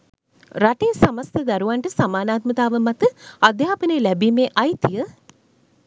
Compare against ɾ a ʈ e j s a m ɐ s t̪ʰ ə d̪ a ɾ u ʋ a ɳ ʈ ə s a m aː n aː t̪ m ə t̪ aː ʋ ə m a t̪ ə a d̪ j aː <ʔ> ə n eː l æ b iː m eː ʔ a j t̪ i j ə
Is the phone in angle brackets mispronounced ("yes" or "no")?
yes